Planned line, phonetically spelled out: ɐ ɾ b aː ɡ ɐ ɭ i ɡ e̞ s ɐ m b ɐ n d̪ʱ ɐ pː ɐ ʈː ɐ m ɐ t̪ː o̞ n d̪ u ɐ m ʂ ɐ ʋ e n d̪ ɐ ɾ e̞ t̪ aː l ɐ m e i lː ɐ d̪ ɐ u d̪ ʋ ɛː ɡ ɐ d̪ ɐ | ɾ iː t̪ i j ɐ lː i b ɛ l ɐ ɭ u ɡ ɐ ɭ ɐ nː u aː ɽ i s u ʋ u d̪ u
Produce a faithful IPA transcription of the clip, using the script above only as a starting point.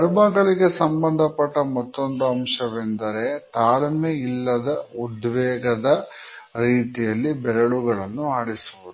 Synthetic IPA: ɐ ɾ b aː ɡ ɐ ɭ i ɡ e̞ s ɐ m b ɐ n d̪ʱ ɐ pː ɐ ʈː ɐ m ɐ t̪ː o̞ n d̪ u ɐ m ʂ ɐ ʋ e n d̪ ɐ ɾ e̞ t̪ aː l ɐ m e i lː ɐ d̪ ɐ u d̪ ʋ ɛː ɡ ɐ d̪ ɐ | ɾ iː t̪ i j ɐ lː i b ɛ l ɐ ɭ u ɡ ɐ ɭ ɐ nː u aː ɽ i s u ʋ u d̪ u